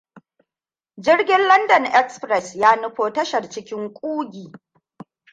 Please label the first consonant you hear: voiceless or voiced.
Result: voiced